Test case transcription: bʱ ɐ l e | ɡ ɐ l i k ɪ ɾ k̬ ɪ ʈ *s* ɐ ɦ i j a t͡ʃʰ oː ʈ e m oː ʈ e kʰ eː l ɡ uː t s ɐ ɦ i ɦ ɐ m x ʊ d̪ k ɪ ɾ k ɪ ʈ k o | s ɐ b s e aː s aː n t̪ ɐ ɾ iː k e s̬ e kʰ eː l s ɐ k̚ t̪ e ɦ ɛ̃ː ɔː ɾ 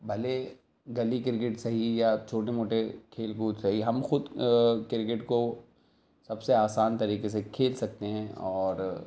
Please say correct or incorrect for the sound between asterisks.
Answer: correct